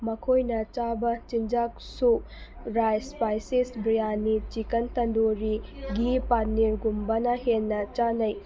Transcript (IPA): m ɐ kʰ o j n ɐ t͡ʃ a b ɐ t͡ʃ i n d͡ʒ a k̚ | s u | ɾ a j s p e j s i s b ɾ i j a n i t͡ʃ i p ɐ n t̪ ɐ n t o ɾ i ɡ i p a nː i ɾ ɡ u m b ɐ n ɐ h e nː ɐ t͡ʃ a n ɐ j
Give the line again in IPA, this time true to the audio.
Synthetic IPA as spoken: m ɐ kʰ o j n ɐ t͡ʃ a b ɐ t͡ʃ i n d͡ʒ a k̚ | s u | ɾ a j s p a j s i s b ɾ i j a n i t͡ʃ i k ɐ n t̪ ɐ n d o ɾ i ɡ i p a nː i ɾ ɡ u m b ɐ n ɐ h e nː ɐ t͡ʃ a n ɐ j